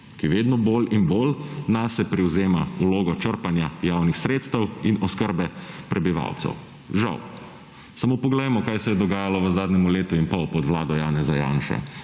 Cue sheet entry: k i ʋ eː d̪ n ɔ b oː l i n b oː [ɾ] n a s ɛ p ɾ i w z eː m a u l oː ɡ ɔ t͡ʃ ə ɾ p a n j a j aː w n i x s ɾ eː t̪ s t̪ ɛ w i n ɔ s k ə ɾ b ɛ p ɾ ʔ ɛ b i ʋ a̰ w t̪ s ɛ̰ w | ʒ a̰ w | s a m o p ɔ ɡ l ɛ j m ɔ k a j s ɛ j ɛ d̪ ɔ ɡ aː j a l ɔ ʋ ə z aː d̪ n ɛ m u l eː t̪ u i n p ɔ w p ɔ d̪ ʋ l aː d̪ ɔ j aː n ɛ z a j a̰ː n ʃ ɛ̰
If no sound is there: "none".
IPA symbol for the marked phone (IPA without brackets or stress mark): l